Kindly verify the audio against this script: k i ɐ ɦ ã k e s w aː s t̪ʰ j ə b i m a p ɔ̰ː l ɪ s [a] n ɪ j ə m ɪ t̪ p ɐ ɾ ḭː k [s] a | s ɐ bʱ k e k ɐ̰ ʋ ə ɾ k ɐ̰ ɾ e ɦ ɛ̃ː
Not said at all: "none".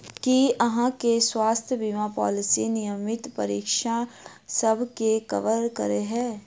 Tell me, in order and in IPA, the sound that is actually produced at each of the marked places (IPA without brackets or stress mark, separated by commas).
i, ʃ